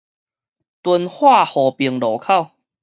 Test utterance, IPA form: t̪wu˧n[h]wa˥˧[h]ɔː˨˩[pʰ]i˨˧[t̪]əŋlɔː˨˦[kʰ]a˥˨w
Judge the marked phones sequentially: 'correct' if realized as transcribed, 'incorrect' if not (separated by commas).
correct, correct, incorrect, incorrect, correct